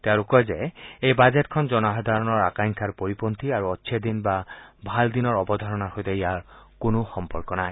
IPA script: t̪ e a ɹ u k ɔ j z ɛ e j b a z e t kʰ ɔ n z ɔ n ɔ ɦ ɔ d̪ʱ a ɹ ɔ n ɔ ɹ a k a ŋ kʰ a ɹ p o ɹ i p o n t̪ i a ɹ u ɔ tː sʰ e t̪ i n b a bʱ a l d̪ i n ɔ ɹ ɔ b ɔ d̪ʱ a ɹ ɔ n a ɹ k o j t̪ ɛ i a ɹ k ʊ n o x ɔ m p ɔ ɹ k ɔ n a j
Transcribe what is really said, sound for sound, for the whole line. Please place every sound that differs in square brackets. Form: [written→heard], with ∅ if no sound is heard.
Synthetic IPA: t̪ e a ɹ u k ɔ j z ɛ e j b a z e t kʰ ɔ n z ɔ n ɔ ɦ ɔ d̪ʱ a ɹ ɔ n ɔ ɹ a k a ŋ kʰ a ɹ p o ɹ i p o n t̪ i a ɹ u ɔ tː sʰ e [t̪→d̪] i n b a bʱ a l d̪ i n ɔ ɹ ɔ b ɔ d̪ʱ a ɹ ɔ n a ɹ [k→x] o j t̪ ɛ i a ɹ k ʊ n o x ɔ m p ɔ ɹ k ɔ n a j